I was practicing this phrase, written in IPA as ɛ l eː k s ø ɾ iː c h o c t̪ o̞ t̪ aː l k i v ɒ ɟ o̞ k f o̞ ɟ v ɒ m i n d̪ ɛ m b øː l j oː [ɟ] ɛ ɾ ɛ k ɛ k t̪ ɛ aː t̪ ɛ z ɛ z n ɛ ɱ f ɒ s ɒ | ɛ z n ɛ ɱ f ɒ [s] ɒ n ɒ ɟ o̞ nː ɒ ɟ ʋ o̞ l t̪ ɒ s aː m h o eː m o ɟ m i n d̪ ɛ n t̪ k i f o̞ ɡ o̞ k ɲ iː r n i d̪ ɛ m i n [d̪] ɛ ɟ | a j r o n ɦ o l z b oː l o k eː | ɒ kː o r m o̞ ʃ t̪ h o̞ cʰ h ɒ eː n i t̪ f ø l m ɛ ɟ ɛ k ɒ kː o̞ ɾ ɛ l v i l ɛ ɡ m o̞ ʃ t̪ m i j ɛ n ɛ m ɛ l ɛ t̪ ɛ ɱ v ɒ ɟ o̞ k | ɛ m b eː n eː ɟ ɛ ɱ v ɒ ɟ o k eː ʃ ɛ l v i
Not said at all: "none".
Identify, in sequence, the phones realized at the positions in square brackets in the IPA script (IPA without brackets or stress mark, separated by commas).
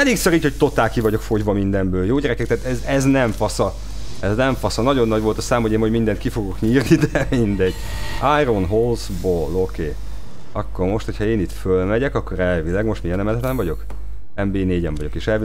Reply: ɟ, s, d̪